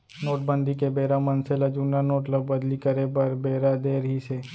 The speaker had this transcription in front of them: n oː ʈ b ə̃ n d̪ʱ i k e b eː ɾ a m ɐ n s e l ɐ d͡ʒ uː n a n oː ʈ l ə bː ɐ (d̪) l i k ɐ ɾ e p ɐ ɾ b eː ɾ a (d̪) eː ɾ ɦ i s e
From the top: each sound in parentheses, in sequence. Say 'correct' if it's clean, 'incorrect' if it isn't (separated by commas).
correct, correct